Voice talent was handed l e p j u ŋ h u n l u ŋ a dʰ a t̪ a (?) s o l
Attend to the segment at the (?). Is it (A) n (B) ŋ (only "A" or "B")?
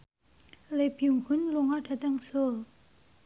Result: B